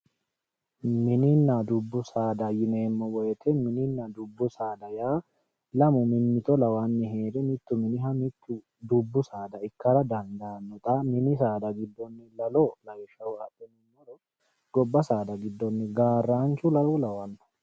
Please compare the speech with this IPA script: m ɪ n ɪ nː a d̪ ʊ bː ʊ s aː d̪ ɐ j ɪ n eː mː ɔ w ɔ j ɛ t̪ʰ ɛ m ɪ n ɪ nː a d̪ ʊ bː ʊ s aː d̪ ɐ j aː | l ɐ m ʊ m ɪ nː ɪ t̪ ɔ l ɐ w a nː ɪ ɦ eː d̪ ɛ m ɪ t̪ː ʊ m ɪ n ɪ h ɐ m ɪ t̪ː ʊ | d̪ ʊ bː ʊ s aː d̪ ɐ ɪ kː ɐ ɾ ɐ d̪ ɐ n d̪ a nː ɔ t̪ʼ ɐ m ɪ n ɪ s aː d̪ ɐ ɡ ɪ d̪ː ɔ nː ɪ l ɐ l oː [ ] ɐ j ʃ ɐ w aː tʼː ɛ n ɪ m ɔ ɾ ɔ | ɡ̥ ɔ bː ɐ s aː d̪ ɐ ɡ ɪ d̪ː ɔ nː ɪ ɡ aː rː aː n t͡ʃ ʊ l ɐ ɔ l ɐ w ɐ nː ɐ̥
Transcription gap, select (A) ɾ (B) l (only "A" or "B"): B